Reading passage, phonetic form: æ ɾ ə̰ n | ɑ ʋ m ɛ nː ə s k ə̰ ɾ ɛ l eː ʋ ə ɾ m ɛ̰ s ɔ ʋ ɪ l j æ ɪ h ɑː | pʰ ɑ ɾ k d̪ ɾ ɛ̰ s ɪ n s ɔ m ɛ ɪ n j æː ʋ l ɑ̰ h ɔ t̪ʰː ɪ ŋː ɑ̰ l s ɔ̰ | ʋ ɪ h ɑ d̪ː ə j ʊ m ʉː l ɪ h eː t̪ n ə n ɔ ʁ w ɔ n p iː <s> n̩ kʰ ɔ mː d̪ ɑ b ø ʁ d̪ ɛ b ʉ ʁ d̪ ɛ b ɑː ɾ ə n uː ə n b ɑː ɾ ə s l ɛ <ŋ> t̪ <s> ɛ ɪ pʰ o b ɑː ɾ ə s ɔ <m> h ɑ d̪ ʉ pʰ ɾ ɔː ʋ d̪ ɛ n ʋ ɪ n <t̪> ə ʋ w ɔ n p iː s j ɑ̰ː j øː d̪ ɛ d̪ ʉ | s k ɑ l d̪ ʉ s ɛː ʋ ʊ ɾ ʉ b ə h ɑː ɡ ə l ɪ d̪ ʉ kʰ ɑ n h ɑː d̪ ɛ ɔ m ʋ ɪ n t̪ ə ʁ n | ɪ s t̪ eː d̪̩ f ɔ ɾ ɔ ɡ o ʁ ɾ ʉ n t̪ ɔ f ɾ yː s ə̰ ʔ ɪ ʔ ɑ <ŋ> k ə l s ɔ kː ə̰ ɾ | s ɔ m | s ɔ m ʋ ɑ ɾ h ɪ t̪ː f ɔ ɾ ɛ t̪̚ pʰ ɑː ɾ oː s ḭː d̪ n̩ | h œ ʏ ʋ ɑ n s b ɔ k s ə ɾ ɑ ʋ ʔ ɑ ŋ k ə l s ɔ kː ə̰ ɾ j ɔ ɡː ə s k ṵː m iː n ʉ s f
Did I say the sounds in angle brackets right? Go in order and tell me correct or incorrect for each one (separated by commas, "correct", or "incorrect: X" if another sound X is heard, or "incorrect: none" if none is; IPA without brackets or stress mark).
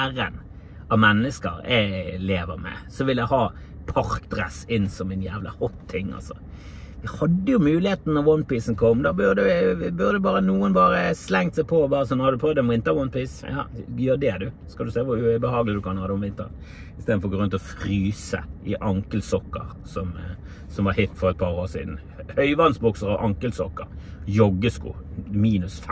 correct, correct, correct, incorrect: n, correct, correct